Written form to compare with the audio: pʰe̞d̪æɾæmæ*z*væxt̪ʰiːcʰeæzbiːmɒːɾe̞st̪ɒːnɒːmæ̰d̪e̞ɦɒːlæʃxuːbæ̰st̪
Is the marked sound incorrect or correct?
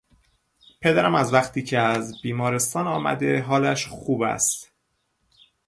correct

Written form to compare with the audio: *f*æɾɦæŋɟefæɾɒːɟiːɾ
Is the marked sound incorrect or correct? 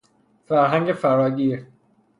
correct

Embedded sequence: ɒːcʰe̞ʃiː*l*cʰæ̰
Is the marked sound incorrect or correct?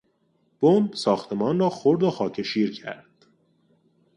incorrect: ɾ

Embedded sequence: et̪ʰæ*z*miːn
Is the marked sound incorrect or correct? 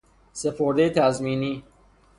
correct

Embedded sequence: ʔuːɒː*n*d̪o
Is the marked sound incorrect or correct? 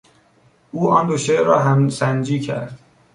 correct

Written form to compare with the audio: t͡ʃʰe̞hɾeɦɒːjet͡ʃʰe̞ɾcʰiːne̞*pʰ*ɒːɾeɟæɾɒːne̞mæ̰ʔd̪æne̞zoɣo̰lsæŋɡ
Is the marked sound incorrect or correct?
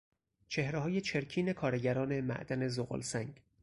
incorrect: kʰ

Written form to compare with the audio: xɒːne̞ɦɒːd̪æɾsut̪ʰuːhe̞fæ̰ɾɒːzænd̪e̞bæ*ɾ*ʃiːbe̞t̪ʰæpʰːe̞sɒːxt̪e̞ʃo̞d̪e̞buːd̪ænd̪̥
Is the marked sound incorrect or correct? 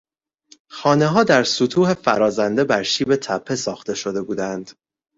correct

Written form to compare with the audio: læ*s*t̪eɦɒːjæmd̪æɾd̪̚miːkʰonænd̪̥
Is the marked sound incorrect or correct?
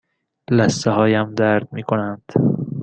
correct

